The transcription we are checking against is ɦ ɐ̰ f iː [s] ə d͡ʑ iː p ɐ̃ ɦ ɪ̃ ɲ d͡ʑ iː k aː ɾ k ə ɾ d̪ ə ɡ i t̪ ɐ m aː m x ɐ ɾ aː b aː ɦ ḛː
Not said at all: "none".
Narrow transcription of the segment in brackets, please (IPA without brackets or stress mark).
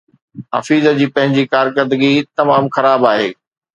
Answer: z